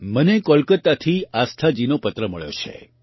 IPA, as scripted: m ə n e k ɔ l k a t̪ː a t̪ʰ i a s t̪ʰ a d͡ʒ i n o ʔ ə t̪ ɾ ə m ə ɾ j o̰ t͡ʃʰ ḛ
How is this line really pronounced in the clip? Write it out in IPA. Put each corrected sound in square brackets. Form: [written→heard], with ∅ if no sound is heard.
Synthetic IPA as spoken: m ə n e k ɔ l k [a→ə] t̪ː a t̪ʰ i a s t̪ʰ a d͡ʒ i n o [ʔ→p] ə t̪ ɾ ə m ə [ɾ→ɭ] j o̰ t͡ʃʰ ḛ